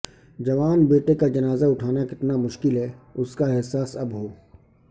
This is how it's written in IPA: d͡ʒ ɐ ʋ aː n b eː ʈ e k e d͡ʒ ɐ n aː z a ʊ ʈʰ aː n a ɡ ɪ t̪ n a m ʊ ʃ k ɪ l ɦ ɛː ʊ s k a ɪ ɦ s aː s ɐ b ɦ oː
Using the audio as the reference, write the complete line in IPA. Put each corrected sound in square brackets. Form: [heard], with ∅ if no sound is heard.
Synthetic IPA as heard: d͡ʒ ɐ ʋ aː n b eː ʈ e k [a] d͡ʒ ɐ n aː z a ʊ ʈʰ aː n a [k] ɪ t̪ n a m ʊ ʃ k ɪ l ɦ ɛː ʊ s k a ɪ ɦ s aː s ɐ b ɦ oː